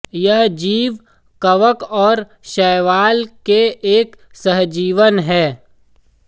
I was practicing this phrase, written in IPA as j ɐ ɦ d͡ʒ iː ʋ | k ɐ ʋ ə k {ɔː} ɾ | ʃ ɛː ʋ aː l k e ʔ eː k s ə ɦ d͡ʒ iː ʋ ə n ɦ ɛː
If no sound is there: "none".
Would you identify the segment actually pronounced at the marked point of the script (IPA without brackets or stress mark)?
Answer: ɔː